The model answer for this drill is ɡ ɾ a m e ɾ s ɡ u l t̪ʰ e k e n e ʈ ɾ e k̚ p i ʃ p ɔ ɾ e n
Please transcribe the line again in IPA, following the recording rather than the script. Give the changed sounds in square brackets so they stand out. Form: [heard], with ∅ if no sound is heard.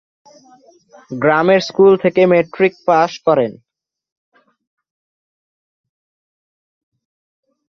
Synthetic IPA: ɡ ɾ a m e ɾ s [k] u l t̪ʰ e k e [m] e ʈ ɾ [i] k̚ p [a] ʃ [k] ɔ ɾ e n